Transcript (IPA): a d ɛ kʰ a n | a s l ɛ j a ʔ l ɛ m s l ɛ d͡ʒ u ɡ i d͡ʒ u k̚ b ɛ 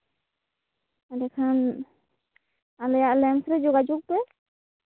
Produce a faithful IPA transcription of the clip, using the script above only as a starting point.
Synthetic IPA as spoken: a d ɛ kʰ a n | a l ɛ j a ʔ l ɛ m s ɾ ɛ d͡ʒ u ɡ a d͡ʒ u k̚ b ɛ